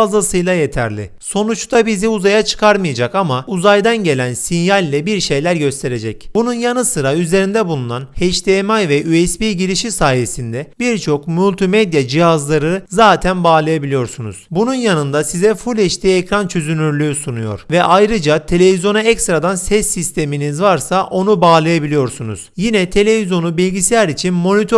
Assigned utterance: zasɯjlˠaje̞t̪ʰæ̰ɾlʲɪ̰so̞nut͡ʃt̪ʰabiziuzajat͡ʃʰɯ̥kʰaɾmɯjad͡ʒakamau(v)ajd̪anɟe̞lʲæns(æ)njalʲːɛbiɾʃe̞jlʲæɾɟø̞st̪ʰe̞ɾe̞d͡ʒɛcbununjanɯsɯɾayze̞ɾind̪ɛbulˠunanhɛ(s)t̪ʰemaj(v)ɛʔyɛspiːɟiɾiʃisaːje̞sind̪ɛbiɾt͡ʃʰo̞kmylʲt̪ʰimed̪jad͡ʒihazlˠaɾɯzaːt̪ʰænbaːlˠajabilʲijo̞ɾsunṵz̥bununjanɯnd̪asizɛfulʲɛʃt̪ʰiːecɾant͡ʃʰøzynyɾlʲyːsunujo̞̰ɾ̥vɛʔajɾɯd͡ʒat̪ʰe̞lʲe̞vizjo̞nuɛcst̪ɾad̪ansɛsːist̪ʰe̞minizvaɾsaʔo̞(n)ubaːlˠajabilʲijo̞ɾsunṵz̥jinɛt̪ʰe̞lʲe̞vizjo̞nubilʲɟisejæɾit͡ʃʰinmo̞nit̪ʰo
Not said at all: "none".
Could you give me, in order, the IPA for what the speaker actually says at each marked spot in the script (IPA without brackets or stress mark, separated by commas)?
z, i, ʃ, v, n